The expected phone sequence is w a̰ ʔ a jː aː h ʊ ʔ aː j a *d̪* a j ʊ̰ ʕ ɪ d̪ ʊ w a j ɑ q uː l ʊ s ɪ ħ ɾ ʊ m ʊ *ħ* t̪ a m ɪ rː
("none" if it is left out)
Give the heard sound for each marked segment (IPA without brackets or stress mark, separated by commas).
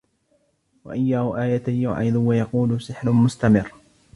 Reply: t̪, s